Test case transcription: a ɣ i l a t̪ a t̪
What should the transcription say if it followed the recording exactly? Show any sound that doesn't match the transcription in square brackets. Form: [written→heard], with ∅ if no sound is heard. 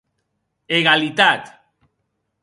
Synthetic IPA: [a→e] ɣ [i→a] l [a→i] t̪ a t̪